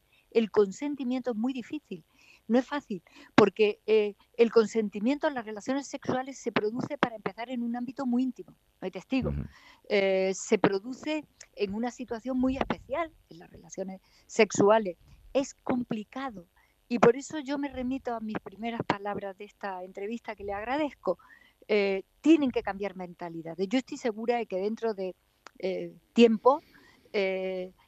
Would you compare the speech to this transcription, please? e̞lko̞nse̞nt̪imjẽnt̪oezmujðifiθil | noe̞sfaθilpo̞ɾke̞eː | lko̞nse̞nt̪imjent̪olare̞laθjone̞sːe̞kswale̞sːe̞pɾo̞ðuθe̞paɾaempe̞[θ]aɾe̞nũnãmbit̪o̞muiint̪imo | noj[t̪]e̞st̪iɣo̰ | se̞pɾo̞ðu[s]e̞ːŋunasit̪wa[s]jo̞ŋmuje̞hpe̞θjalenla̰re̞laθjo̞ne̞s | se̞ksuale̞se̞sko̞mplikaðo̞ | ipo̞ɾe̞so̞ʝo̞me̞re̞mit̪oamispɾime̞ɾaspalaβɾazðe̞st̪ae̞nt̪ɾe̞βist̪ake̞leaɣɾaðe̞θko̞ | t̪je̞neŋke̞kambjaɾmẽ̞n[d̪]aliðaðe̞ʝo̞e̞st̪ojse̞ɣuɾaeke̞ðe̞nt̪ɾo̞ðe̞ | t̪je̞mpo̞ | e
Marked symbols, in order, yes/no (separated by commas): yes, yes, no, no, no